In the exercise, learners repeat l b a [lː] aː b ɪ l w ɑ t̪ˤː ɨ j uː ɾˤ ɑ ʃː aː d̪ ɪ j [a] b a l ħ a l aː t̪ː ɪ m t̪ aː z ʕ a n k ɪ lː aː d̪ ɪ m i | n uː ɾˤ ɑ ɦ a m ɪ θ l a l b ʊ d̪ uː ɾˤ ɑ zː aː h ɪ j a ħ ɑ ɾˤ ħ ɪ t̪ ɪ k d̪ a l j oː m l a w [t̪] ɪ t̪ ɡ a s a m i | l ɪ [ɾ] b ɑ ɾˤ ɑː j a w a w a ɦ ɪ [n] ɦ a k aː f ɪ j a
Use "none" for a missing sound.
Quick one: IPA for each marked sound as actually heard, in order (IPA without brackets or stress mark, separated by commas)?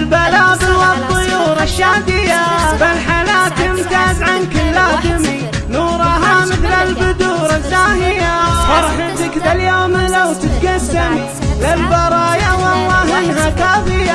l, a, t̪, l, n